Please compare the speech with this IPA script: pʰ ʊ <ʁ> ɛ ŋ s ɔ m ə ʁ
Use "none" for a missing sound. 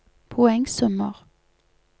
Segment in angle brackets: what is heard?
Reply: none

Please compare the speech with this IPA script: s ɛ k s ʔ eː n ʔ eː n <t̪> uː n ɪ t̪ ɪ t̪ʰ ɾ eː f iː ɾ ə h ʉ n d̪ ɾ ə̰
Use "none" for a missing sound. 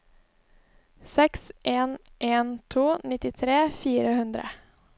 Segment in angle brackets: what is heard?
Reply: t̪ʰ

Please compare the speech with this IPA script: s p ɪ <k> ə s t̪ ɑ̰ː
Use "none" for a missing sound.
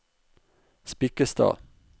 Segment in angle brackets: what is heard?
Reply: k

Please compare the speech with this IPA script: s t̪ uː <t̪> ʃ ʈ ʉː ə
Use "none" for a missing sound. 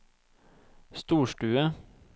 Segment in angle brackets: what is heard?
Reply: none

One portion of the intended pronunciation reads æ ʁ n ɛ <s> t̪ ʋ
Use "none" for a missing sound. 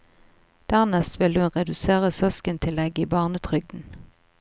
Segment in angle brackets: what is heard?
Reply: s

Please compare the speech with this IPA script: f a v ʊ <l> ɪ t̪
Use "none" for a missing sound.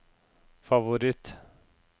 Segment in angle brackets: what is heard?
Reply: ɾ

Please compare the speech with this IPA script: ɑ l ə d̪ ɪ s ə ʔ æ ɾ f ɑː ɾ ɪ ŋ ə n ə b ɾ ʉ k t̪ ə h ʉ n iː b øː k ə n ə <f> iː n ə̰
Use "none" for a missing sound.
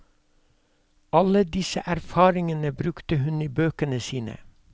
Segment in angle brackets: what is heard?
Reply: s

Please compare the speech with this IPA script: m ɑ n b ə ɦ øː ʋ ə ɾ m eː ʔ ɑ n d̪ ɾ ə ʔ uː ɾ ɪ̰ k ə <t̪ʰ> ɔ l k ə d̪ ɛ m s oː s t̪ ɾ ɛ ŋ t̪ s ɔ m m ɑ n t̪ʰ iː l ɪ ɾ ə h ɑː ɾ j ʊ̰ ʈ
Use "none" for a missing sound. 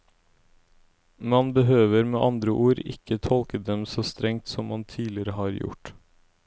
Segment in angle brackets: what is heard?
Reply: t̪ʰ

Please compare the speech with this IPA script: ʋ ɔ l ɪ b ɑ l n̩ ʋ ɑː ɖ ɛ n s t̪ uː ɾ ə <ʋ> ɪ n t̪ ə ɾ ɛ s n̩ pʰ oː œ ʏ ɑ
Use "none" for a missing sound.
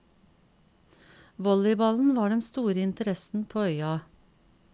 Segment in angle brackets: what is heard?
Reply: none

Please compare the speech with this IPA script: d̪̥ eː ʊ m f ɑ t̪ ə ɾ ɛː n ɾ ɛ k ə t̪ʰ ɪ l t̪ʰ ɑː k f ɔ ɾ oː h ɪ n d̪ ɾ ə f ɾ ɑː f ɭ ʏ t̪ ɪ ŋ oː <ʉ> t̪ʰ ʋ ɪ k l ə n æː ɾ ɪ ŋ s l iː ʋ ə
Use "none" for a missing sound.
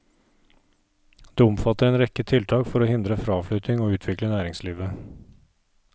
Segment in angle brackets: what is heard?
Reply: ʉː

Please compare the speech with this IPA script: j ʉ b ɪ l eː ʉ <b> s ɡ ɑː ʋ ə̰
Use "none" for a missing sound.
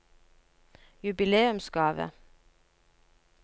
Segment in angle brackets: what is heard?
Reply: m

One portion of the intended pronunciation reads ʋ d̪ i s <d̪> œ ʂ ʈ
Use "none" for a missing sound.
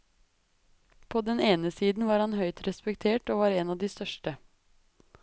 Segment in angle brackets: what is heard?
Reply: t̪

